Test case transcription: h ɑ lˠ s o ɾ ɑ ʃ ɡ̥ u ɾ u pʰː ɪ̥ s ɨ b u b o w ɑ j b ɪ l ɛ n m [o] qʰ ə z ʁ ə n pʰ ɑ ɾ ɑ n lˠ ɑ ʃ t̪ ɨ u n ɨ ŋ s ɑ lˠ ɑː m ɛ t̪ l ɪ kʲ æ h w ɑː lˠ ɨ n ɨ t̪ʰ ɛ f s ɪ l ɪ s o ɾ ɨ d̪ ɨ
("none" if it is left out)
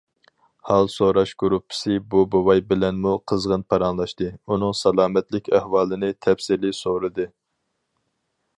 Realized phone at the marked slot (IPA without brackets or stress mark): u